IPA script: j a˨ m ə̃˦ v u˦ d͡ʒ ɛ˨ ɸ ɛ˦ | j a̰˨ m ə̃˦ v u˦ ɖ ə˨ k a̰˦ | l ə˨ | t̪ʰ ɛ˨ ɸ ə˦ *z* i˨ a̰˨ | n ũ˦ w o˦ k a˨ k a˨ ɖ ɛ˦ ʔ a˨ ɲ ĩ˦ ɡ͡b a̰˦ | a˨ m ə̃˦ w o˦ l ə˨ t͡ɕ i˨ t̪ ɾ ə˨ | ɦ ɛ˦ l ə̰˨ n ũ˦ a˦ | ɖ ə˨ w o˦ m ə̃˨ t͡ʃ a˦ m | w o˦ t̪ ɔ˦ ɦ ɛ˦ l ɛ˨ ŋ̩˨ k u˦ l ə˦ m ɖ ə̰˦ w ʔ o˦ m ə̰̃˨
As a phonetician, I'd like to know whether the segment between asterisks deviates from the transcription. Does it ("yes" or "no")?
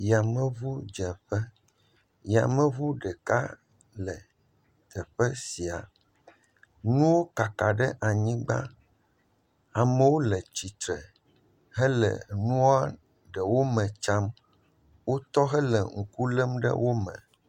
yes